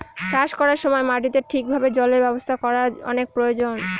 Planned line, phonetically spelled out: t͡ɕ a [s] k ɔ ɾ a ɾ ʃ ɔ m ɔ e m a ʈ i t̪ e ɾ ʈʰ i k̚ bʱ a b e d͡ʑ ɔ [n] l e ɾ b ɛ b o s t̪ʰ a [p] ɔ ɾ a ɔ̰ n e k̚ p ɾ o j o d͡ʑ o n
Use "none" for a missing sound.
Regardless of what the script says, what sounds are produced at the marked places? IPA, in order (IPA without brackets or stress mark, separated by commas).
ʃ, none, k